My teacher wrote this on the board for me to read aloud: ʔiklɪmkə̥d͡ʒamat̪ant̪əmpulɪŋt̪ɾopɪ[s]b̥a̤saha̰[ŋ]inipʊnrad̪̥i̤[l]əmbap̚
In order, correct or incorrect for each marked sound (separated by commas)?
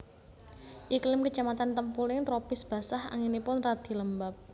correct, correct, correct